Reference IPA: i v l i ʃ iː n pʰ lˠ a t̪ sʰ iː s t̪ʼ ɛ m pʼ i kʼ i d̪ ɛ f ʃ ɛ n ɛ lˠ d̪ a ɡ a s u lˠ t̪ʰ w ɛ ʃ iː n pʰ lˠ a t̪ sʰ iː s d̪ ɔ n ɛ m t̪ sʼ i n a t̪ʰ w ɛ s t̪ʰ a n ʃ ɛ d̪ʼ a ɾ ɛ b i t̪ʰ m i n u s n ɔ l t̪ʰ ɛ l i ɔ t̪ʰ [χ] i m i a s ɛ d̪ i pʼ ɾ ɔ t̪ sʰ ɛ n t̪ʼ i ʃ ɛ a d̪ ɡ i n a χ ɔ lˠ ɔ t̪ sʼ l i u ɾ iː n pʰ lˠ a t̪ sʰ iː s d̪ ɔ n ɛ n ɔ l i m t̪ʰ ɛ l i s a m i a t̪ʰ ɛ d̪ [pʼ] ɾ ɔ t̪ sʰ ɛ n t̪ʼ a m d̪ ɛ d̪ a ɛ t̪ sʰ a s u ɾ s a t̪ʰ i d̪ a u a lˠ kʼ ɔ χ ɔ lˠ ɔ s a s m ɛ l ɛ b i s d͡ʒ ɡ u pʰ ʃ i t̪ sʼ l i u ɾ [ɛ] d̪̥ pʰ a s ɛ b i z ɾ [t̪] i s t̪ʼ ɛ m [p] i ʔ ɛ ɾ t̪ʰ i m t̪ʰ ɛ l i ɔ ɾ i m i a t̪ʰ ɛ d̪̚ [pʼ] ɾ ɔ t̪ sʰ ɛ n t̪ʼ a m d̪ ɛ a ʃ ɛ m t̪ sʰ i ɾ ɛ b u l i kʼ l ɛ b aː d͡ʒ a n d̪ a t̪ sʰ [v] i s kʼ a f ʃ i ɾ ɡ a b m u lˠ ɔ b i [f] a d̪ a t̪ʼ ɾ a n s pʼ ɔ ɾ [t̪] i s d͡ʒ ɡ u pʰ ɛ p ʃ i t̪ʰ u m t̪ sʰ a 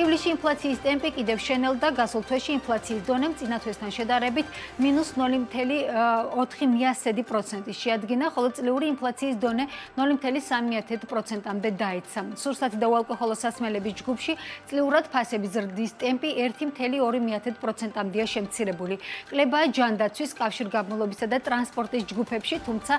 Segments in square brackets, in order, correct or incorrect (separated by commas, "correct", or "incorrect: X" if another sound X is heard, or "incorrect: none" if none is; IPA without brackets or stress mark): correct, correct, incorrect: a, incorrect: d̪, incorrect: pʼ, correct, incorrect: w, incorrect: s, incorrect: t̪ʼ